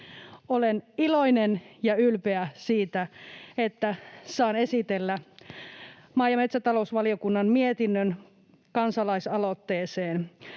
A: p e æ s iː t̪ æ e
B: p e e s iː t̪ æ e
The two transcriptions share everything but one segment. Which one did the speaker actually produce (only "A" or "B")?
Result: A